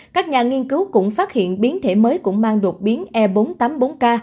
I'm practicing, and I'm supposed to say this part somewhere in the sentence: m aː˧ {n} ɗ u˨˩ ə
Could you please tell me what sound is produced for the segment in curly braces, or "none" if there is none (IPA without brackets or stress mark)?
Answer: ŋ